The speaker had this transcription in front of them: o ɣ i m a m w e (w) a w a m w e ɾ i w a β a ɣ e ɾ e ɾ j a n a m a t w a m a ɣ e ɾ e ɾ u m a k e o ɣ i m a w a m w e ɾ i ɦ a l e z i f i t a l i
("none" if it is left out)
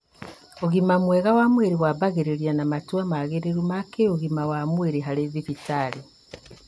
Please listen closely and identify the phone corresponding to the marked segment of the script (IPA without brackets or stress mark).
ɣ